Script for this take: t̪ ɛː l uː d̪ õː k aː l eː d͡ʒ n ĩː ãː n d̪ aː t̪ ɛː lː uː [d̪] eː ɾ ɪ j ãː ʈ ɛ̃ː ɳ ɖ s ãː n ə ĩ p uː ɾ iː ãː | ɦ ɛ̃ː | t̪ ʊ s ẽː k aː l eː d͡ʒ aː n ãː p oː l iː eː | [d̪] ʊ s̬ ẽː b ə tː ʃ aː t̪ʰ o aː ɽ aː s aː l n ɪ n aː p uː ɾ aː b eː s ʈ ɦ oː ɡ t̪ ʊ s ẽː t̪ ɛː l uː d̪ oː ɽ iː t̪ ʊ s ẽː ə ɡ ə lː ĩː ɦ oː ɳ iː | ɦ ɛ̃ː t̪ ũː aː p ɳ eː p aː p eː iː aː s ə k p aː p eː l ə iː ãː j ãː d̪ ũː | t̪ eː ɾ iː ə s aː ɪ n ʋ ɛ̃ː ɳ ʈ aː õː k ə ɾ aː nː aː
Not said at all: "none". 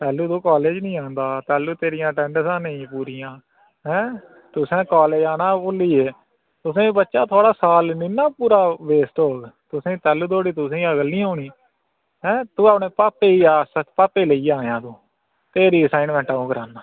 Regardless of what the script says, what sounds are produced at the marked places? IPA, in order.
t̪, t̪

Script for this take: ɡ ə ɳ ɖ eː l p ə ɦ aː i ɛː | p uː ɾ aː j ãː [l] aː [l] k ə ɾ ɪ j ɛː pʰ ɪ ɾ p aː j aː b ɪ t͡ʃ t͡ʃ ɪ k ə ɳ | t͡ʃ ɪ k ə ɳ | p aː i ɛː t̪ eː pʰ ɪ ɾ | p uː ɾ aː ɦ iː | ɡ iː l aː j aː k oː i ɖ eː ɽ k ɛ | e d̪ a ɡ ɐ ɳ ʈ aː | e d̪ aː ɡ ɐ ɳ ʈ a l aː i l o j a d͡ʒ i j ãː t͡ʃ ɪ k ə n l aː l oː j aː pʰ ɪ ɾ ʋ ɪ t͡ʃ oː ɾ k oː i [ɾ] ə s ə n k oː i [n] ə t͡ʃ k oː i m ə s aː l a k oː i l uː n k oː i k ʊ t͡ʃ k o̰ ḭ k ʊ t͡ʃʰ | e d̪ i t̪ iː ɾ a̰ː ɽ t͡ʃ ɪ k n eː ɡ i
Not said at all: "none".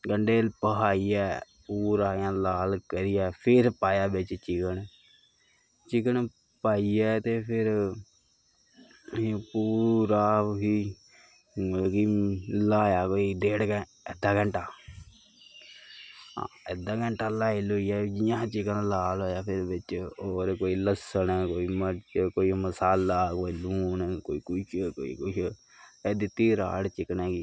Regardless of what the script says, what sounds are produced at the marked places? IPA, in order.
l, l, l, m

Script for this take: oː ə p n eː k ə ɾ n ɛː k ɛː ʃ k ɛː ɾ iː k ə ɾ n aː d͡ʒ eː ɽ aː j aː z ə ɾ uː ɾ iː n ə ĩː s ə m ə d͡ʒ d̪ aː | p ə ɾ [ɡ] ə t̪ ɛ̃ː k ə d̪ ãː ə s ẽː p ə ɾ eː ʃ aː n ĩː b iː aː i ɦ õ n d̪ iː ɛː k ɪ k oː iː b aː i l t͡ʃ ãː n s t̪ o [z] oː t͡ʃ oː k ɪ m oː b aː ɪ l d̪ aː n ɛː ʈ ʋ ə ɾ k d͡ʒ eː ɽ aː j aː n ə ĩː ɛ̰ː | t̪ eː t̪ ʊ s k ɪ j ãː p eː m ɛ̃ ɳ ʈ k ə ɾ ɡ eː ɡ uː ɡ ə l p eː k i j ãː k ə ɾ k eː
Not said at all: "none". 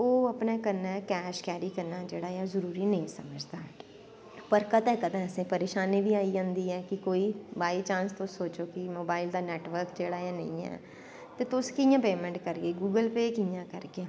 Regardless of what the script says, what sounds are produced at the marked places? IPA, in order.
k, s

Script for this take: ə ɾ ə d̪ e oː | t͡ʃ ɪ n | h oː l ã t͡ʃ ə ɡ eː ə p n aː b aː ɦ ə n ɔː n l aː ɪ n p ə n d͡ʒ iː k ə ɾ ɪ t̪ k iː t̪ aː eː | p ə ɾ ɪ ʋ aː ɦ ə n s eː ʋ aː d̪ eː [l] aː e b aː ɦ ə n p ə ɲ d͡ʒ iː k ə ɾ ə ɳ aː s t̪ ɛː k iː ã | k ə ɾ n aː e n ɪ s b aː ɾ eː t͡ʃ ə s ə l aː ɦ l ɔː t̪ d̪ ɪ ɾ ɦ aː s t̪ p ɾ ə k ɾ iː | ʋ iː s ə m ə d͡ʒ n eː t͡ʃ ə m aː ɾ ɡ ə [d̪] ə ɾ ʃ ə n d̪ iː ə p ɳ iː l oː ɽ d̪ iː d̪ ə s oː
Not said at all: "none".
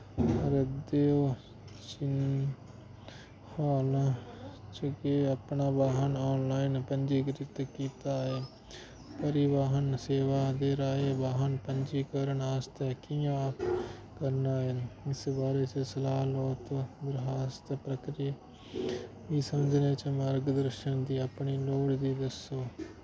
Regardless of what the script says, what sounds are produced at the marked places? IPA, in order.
ɾ, d̪

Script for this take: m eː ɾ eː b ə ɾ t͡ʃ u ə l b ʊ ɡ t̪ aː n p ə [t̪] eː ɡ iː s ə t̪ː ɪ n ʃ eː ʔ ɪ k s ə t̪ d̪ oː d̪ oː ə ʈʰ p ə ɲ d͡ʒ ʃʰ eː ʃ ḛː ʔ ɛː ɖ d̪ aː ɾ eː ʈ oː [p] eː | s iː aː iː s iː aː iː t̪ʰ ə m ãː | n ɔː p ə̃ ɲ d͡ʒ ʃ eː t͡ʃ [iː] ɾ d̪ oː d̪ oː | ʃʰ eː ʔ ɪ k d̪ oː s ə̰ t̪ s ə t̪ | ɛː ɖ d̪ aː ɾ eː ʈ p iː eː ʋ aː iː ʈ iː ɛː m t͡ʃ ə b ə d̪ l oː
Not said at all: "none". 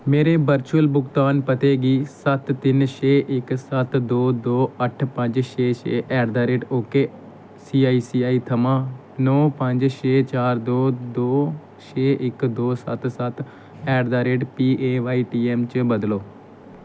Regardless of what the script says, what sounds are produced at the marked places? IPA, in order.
t̪, k, aː

